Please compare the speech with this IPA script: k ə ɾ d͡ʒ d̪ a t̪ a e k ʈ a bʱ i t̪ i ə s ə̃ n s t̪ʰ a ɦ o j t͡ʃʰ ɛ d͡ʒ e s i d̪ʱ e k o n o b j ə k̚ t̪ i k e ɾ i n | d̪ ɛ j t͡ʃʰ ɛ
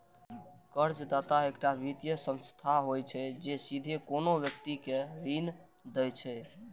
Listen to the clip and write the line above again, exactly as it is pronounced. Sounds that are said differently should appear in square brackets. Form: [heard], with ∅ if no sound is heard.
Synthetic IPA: k ə ɾ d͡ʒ d̪ a t̪ a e k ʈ a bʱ i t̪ [j] ə s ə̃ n s t̪ʰ a ɦ o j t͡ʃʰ ɛ d͡ʒ e s i d̪ʱ e k o n o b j ə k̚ t̪ i k e ɾ i n | d̪ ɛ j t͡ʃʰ ɛ